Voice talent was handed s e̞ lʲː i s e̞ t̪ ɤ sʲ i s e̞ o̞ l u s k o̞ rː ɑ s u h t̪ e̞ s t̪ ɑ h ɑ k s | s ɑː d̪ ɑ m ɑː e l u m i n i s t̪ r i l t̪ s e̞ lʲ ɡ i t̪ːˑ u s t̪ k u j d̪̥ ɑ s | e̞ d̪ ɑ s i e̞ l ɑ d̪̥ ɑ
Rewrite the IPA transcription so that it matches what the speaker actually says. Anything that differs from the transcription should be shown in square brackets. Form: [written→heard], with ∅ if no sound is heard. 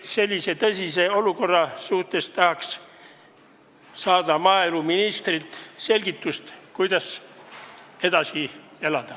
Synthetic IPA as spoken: s e̞ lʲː i s e̞ t̪ ɤ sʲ i s e̞ o̞ l u [s→∅] k o̞ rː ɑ s u h t̪ e̞ s t̪ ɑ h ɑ k s | s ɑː d̪ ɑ m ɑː e l u m i n i s t̪ r i l t̪ s e̞ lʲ ɡ i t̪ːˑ u s t̪ k u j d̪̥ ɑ s | e̞ d̪ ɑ s i e̞ l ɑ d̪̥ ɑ